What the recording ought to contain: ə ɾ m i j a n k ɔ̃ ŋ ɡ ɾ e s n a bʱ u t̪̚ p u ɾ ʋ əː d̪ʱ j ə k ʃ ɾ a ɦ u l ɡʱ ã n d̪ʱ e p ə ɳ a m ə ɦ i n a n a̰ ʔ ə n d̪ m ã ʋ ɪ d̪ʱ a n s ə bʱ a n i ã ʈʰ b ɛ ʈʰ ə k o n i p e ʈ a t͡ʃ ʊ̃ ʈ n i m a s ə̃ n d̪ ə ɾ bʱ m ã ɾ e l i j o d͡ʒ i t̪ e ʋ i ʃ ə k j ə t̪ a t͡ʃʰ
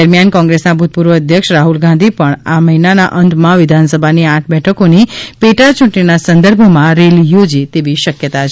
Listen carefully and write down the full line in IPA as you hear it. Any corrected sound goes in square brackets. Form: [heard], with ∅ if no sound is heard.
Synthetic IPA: ə ɾ m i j a n k ɔ̃ ŋ ɡ ɾ e s n a bʱ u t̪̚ p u ɾ ʋ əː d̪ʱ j ə k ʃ ɾ a ɦ u l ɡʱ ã n d̪ʱ [i] p ə ɳ a m ə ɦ i n a n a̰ ʔ ə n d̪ m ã ʋ ɪ d̪ʱ a n s ə bʱ a n i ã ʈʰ b ɛ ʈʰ ə k o n i p e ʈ a t͡ʃ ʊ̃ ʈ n i [n] a s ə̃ n d̪ ə ɾ bʱ m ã ɾ e l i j o d͡ʒ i t̪ e ʋ i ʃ ə k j ə t̪ a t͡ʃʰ

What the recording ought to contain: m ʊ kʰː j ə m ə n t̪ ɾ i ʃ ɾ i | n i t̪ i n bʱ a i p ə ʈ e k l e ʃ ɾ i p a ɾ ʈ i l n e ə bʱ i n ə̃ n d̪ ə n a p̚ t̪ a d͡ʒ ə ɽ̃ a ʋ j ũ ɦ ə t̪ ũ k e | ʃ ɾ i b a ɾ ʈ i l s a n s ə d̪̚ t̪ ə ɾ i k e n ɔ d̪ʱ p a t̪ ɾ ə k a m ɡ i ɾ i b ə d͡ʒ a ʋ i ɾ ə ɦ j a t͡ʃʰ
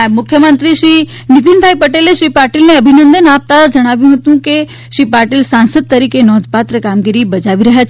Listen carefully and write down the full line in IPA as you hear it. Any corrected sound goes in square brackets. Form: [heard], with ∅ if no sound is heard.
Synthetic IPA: m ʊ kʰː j ə m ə n t̪ ɾ i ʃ ɾ i | n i t̪ i n bʱ a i p ə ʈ e [∅] l e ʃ ɾ i p a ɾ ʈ i l n e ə bʱ i n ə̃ n d̪ ə n a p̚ t̪ a d͡ʒ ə ɽ̃ a ʋ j ũ ɦ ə t̪ ũ k e | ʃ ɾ i [p] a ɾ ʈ i l s a n s ə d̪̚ t̪ ə ɾ i k e n ɔ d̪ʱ p a t̪ ɾ ə k a m ɡ i ɾ i b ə d͡ʒ a ʋ i ɾ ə ɦ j a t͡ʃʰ

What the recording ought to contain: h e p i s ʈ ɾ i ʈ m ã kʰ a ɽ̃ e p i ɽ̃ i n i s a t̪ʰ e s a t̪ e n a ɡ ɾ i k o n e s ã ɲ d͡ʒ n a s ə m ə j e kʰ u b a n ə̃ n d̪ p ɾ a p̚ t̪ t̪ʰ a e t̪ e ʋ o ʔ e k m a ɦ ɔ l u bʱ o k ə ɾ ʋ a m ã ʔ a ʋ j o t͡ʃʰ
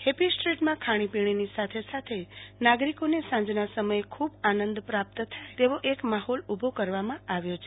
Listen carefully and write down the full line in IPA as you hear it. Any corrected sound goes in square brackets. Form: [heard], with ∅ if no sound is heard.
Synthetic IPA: h e p i s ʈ ɾ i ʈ m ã kʰ a ɽ̃ [i] p i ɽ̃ i n i s a t̪ʰ e s a [t̪ʰ] e n a ɡ ɾ i k o n e s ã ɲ d͡ʒ n a s ə m ə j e kʰ u b a n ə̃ n d̪ p ɾ a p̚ t̪ t̪ʰ a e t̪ e ʋ o ʔ e k m a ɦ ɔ l u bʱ o k ə ɾ ʋ a m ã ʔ a ʋ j o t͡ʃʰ

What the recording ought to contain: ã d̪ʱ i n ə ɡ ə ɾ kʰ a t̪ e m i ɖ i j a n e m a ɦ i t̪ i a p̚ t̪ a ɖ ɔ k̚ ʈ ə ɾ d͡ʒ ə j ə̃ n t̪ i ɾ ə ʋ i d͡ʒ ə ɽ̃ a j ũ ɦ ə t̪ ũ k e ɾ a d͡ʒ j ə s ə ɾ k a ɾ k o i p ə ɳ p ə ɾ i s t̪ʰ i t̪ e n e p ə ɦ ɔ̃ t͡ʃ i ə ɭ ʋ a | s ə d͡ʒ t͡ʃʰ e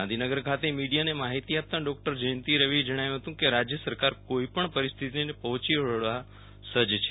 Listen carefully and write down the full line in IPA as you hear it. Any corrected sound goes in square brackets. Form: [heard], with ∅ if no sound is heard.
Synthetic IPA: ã d̪ʱ i n ə ɡ ə ɾ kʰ a t̪ e m i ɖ i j a n e m a ɦ i t̪ i a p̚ t̪ a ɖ ɔ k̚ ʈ ə ɾ d͡ʒ ə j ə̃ n t̪ i ɾ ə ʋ i d͡ʒ ə ɽ̃ a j ũ ɦ ə t̪ ũ k e ɾ a d͡ʒ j ə s ə ɾ k a ɾ k o i p ə ɳ p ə ɾ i s t̪ʰ i t̪ [i] n e p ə ɦ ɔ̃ t͡ʃ i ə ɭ ʋ a | s ə d͡ʒ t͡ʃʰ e

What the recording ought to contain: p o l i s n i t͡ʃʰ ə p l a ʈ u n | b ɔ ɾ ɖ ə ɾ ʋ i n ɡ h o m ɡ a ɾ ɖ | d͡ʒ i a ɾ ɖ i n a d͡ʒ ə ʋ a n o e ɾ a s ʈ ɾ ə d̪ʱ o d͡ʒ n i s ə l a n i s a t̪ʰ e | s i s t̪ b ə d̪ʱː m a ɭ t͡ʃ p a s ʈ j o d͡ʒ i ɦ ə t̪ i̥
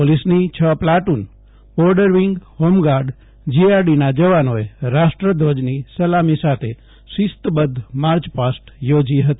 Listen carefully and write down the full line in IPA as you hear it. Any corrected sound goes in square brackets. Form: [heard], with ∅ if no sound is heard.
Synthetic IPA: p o l i s n i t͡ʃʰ ə p l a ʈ u n | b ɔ ɾ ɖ ə ɾ ʋ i [ŋ] ɡ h o m ɡ a ɾ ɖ | d͡ʒ i a ɾ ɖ i n a d͡ʒ ə ʋ a n o e ɾ a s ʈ ɾ ə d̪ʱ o d͡ʒ n i s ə l a [m] i s a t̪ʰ e | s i s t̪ b ə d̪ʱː m a [ɾ] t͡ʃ p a s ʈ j o d͡ʒ i ɦ ə t̪ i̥

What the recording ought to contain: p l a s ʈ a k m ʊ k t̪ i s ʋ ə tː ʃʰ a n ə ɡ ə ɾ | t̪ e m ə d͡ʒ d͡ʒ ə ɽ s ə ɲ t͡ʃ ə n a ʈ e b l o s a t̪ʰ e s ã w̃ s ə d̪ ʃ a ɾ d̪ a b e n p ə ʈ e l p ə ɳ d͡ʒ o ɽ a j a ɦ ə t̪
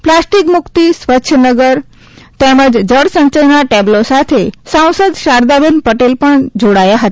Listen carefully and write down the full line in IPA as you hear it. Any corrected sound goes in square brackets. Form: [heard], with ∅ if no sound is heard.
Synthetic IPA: p l a s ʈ [i] k m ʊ k t̪ i s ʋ ə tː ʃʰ [ə] n ə ɡ ə ɾ | t̪ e m ə d͡ʒ d͡ʒ ə ɽ s ə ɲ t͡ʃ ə n a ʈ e b l o s a t̪ʰ e s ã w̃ s ə d̪ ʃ a ɾ d̪ a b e n p ə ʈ e l p ə ɳ d͡ʒ o ɽ a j a ɦ ə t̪

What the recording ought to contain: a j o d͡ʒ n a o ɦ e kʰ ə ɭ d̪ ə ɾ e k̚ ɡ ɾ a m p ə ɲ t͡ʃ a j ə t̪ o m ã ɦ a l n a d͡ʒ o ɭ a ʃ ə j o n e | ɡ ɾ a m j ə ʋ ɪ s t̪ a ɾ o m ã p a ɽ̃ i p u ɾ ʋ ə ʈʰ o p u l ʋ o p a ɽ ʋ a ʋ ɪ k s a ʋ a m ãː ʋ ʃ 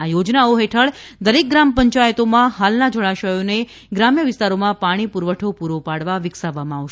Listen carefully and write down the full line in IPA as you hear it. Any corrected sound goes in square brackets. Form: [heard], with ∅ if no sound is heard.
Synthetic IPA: a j o d͡ʒ n a o ɦ e [ʈʰ] ə ɭ d̪ ə ɾ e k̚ ɡ ɾ a m p ə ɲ t͡ʃ a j ə t̪ o m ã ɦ a l n a d͡ʒ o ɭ a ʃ ə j o n e | ɡ ɾ a m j ə ʋ ɪ s t̪ a ɾ o m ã p a ɽ̃ i p u ɾ ʋ ə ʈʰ o p u [ɾ] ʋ o p a ɽ ʋ a ʋ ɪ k s a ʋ a m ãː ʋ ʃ

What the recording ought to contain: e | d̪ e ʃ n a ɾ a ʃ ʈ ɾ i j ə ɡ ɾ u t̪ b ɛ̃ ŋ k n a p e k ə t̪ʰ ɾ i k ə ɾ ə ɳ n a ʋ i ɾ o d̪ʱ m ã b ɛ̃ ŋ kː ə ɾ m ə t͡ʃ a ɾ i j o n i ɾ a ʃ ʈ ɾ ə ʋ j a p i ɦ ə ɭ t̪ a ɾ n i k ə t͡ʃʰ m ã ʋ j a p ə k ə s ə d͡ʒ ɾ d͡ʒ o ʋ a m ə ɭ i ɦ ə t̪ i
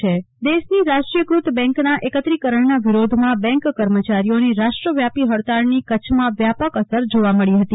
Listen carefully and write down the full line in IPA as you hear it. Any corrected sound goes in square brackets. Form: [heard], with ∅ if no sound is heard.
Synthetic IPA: e | d̪ e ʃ n [i] ɾ a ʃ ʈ ɾ i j ə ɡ ɾ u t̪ b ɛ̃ ŋ k n a [ʔ] e k ə [t̪] ɾ i k ə ɾ ə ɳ n a ʋ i ɾ o d̪ʱ m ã b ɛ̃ ŋ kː ə ɾ m ə t͡ʃ a ɾ i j o n i ɾ a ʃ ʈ ɾ ə ʋ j a p i ɦ ə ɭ t̪ a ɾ n i k ə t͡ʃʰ m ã ʋ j a p ə k ə s ə [∅] ɾ d͡ʒ o ʋ a m ə ɭ i ɦ ə t̪ i

